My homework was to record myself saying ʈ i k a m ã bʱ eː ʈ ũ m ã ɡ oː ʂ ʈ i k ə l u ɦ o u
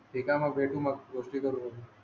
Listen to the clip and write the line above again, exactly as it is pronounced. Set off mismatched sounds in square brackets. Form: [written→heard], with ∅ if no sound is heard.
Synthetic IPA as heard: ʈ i k a m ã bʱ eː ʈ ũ m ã ɡ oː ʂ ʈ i k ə [l→ɾ] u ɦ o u